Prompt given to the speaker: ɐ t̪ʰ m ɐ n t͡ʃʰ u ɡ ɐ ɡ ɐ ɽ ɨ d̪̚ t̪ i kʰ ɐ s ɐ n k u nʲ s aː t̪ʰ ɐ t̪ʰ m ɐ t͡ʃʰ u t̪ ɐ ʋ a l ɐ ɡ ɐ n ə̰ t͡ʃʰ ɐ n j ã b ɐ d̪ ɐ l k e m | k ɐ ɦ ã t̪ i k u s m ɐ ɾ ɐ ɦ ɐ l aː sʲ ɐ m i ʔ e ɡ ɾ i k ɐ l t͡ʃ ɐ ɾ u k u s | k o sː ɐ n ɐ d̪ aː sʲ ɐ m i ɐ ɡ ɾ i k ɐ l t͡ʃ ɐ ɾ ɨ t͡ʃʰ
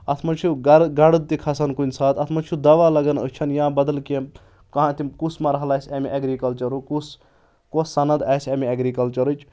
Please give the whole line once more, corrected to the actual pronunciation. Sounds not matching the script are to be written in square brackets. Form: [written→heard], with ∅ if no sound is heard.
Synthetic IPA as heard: ɐ t̪ʰ m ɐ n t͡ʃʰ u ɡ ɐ ɡ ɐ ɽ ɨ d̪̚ t̪ i kʰ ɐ s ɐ n k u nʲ s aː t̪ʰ ɐ t̪ʰ m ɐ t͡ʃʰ u [t̪→d̪] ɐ ʋ a l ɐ ɡ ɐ n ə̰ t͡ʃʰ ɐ n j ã b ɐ d̪ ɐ l k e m | k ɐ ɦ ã t̪ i k u s m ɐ ɾ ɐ ɦ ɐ l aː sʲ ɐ m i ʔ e ɡ ɾ i k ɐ l t͡ʃ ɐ ɾ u k u s | k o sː ɐ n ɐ d̪ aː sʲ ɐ m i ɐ ɡ ɾ i k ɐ l t͡ʃ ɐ ɾ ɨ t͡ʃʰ